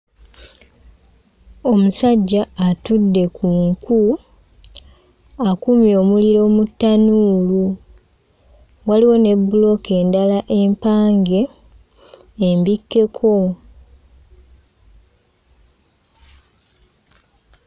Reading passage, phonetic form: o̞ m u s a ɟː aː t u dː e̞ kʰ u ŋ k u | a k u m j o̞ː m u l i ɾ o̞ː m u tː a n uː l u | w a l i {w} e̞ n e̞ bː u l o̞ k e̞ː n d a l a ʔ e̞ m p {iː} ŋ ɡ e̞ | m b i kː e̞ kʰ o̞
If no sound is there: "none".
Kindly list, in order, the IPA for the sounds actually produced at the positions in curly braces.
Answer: w, aː

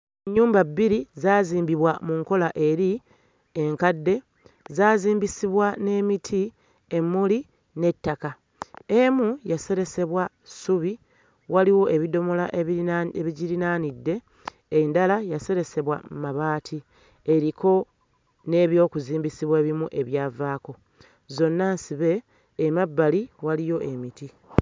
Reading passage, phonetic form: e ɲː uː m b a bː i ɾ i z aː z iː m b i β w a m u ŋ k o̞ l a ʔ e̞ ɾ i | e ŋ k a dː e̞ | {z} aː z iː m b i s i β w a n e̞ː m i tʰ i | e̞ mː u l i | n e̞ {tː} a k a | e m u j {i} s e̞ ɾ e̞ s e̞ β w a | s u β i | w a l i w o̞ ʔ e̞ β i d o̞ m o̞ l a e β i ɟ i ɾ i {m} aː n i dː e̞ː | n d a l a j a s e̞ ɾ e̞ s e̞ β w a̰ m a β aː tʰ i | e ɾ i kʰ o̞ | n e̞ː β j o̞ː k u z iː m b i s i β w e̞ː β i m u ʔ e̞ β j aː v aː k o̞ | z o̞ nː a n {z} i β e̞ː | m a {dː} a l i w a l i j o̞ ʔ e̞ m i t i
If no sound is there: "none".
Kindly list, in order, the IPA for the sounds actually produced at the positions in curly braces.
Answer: z, tː, a, n, s, bː

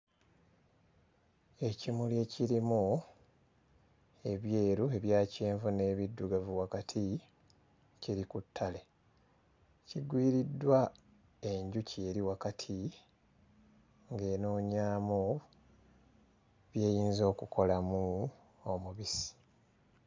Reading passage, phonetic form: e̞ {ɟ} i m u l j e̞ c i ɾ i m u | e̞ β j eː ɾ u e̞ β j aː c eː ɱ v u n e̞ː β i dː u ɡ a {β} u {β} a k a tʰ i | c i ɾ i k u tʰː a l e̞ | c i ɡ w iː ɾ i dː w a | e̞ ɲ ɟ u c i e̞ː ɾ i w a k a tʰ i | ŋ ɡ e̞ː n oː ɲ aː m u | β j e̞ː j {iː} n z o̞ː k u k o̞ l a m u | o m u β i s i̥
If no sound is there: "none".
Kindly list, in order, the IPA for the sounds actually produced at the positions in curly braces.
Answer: c, v, w, iː

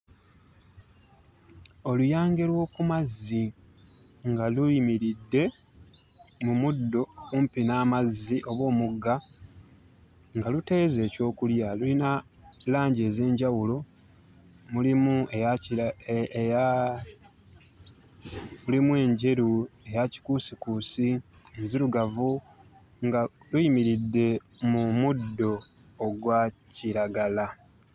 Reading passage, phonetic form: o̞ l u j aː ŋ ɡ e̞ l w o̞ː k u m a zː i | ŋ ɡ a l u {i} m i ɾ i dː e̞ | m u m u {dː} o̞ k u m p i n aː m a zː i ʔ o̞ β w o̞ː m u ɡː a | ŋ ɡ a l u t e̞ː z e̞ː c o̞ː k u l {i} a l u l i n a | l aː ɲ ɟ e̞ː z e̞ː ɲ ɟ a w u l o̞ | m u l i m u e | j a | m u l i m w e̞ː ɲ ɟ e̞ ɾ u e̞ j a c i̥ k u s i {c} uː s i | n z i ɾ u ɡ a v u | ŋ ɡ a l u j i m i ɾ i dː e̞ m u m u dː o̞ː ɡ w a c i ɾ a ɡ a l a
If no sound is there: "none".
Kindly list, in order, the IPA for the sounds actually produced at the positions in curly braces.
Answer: i, dː, j, k

